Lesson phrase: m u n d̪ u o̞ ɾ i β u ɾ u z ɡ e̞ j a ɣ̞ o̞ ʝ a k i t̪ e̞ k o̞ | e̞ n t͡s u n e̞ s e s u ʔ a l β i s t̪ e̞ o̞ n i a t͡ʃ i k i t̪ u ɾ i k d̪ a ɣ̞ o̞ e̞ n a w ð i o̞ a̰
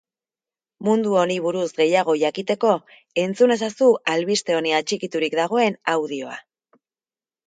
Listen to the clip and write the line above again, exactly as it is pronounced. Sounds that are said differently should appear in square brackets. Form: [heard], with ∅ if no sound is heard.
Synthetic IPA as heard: m u n d̪ u o̞ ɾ i β u ɾ u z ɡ e̞ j a ɣ̞ o̞ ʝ a k i t̪ e̞ k o̞ | e̞ n t͡s u n e̞ s [a] s u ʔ a l β i s t̪ e̞ o̞ n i a t͡ʃ i k i t̪ u ɾ i k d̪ a ɣ̞ o̞ e̞ n a w ð i o̞ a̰